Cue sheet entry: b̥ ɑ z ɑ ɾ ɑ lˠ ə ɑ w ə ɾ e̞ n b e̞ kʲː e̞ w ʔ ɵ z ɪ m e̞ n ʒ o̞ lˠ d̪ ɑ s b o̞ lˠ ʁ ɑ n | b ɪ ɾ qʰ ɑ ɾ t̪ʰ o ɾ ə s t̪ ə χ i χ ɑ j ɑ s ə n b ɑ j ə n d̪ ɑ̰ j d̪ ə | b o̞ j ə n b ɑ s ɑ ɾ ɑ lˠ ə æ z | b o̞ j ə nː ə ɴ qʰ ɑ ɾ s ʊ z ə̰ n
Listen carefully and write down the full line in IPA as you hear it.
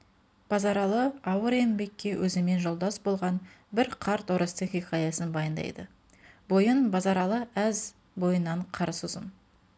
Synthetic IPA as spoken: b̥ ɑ z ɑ ɾ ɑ lˠ ə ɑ w ə ɾ e̞ n b e̞ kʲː e̞ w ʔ ɵ z ɪ m e̞ n ʒ o̞ lˠ d̪ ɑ s b o̞ lˠ ʁ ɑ n | b ɪ ɾ qʰ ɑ ɾ t̪ o ɾ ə s t̪ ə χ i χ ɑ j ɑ s ə n b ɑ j ə n d̪ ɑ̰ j d̪ ə | b o̞ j ə n b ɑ z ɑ ɾ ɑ lˠ ə æ z | b o̞ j ə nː ɑ ɴ qʰ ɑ ɾ s ʊ z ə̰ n